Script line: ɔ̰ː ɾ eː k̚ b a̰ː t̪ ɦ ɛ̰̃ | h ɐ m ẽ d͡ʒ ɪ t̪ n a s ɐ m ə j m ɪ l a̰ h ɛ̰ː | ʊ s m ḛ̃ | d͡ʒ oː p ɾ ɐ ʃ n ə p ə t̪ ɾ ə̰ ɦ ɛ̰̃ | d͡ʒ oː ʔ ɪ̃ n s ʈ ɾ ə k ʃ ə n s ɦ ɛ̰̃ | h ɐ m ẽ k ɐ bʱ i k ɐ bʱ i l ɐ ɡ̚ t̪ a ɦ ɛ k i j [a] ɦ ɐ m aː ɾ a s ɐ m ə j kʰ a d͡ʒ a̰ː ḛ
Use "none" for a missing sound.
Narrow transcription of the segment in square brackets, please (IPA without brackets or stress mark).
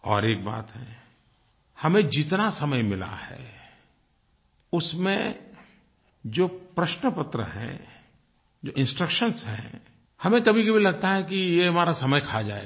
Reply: e